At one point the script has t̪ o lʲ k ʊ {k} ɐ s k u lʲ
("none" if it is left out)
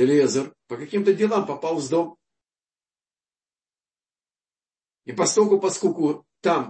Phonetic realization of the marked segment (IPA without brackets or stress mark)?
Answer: p